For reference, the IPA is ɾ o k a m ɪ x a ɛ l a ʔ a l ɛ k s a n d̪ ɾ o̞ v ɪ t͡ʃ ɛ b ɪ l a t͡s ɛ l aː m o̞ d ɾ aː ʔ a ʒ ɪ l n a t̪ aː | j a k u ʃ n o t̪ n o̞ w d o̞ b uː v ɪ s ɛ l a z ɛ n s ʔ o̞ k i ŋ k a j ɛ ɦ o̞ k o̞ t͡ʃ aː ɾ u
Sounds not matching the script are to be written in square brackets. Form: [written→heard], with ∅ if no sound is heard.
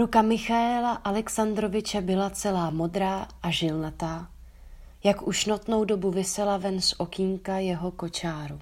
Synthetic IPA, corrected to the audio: ɾ [o→u] k a m ɪ x a ɛ l a ʔ a l ɛ k s a n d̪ ɾ o̞ v ɪ t͡ʃ ɛ b ɪ l a t͡s ɛ l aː m o̞ d ɾ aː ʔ a ʒ ɪ l n a t̪ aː | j a k u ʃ n o t̪ n o̞ w d o̞ b [uː→u] v ɪ s ɛ l a [z→v] ɛ n s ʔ o̞ k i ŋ k a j ɛ ɦ o̞ k o̞ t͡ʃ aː ɾ u